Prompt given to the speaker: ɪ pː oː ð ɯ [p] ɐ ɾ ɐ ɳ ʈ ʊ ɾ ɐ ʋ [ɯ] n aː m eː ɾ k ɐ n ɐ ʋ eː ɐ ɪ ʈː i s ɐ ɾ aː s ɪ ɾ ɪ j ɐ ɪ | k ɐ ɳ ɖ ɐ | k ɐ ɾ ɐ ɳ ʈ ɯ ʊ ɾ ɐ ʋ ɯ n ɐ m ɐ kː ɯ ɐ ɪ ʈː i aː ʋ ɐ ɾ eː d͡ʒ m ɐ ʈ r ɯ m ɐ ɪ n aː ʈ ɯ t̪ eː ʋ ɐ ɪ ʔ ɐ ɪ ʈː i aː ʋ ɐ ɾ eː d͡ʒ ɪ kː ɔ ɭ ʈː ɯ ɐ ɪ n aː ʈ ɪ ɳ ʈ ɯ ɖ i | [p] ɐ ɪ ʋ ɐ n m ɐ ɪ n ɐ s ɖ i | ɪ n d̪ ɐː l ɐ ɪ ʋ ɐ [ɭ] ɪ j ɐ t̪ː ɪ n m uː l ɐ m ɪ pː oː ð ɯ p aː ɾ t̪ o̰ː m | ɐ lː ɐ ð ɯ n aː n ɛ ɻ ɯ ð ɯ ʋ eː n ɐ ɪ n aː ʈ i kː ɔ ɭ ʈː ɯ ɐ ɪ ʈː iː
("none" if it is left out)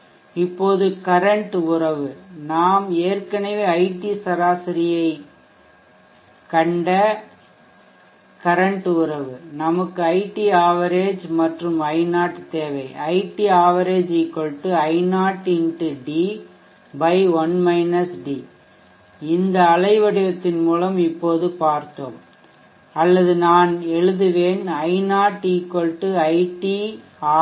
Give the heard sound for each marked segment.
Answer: k, ɯ, b, ɽ

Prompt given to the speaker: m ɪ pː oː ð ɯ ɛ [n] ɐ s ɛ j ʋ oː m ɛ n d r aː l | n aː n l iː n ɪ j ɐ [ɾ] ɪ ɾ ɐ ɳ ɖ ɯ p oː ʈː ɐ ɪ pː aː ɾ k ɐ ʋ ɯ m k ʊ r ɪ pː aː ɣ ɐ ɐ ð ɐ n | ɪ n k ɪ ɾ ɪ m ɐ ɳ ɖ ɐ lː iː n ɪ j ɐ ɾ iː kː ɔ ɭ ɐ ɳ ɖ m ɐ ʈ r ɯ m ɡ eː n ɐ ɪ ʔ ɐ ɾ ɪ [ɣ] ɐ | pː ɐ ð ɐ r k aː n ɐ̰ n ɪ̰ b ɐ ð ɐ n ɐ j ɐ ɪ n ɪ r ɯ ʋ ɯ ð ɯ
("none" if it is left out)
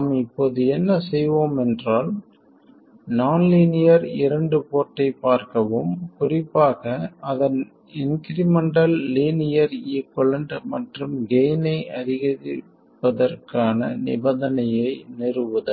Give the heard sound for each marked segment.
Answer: nː, ɾ, ɣ

